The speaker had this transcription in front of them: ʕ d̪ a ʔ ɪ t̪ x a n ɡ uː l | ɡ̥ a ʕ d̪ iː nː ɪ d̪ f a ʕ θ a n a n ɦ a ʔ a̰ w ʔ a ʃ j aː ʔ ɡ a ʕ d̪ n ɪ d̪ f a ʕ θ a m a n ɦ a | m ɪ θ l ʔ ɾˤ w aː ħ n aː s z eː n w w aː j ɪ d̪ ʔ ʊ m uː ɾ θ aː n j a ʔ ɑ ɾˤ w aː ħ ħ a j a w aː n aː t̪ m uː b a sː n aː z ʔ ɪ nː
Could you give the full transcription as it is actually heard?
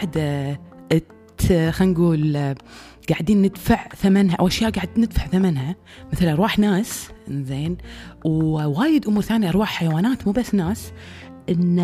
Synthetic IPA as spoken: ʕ d̪ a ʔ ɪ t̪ x a n ɡ uː l | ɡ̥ a ʕ d̪ iː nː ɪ d̪ f a ʕ θ a m a n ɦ a ʔ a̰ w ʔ a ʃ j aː ʔ ɡ a ʕ d̪ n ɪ d̪ f a ʕ θ a m a n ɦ a | m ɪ θ l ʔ ɾˤ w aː ħ n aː s z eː n w w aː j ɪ d̪ ʔ ʊ m uː ɾ θ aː n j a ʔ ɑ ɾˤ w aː ħ ħ a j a w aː n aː t̪ m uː b a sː n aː s ʔ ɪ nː